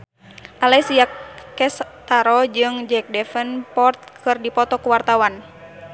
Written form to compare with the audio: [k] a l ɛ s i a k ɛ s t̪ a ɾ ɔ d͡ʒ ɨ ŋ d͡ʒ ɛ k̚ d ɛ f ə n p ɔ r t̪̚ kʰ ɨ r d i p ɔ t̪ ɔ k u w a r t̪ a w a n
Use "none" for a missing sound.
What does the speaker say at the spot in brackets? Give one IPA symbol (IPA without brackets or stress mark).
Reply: ʔ